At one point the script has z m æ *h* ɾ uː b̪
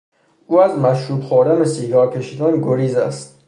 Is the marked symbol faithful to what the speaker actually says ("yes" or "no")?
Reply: no